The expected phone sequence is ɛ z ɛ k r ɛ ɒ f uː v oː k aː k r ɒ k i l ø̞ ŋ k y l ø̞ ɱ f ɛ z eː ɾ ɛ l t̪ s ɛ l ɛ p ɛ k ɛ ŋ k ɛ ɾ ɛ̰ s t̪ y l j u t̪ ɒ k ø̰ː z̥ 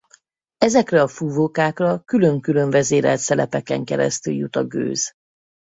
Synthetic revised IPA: ɛ z ɛ k r ɛ ɒ f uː v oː k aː k r ɒ k y l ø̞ ŋ k y l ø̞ ɱ v ɛ z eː ɾ ɛ l t̪ s ɛ l ɛ p ɛ k ɛ ŋ k ɛ ɾ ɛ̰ s t̪ y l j u t̪ ɒ ɡ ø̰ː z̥